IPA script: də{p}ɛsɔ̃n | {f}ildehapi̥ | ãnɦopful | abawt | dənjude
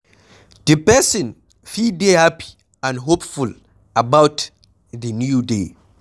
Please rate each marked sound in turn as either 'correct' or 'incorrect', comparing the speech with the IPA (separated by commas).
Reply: correct, correct